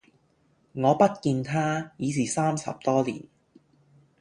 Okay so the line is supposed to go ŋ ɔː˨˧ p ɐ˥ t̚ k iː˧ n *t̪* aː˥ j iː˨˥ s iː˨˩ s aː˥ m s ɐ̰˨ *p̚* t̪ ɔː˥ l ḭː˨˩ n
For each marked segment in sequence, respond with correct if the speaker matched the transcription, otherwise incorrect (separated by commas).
incorrect, correct